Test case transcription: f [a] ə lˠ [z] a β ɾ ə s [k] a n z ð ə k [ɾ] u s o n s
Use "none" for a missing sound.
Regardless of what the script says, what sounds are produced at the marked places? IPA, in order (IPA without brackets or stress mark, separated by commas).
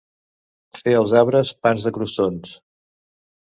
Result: e, z, p, ɾ